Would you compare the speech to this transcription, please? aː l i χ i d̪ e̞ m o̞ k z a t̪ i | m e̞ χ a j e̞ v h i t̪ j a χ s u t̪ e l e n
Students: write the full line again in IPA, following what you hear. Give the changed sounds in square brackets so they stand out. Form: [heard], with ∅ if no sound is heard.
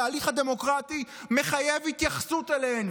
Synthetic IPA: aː l i χ [a] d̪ e̞ m o̞ k [ʁ] a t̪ i | m e̞ χ a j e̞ v h i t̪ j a χ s u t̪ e l e n